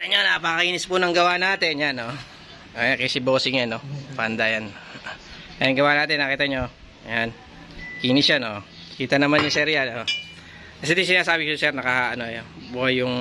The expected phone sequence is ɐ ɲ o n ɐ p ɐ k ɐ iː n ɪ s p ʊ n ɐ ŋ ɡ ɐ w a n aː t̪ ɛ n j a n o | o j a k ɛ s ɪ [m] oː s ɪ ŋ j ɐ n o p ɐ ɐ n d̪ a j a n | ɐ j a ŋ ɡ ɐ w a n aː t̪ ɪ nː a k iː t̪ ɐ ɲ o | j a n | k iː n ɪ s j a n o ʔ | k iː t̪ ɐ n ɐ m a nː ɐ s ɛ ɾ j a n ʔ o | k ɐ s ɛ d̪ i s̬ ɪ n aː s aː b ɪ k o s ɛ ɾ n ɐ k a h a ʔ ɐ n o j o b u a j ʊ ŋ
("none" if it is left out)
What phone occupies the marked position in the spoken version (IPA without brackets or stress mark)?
b